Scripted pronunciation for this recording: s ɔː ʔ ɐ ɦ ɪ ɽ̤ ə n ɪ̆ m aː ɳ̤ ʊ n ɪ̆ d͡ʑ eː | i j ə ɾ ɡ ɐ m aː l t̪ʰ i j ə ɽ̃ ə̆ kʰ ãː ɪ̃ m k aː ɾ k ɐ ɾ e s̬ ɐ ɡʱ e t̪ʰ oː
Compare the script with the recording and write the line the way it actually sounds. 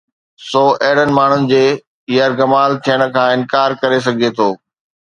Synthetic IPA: s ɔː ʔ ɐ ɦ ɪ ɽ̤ ə n ɪ̆ m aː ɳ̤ ʊ n ɪ̆ d͡ʑ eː | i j ə ɾ ɡ ɐ m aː l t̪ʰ i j ə ɽ̃ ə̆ kʰ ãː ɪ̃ n k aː ɾ k ɐ ɾ e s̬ ɐ ɡʱ e t̪ʰ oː